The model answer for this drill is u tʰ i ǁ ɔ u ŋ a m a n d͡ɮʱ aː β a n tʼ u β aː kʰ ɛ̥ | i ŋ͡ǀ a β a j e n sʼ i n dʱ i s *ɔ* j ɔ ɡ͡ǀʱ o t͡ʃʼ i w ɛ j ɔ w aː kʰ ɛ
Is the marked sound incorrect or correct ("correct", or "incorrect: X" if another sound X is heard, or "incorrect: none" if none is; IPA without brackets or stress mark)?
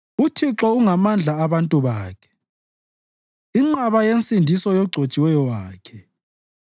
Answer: correct